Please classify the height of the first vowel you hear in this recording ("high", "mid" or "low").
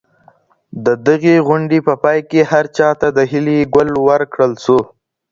mid